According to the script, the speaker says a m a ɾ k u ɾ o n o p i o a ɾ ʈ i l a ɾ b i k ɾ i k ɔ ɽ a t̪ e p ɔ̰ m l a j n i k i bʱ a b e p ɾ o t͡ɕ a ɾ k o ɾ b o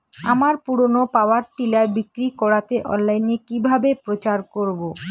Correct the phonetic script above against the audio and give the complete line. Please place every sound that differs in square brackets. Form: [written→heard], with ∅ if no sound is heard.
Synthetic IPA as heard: a m a ɾ [k→p] u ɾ o n o p [i→a] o a ɾ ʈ i l a ɾ b i k ɾ i k ɔ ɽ a t̪ e [p→ʔ] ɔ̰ [m→n] l a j n [i→e] k i bʱ a b e p ɾ o t͡ɕ a ɾ k o ɾ b o